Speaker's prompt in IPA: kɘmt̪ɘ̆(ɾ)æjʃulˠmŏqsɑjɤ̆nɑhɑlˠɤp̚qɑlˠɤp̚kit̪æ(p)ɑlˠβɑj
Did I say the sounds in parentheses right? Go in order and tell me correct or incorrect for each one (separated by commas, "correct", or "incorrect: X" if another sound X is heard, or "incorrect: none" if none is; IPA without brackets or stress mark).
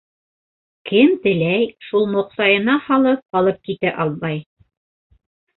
incorrect: l, incorrect: ʔ